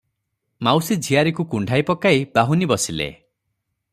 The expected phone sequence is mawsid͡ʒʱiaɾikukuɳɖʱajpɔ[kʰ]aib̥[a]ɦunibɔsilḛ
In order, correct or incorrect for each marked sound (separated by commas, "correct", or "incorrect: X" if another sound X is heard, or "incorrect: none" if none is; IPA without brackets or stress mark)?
incorrect: k, correct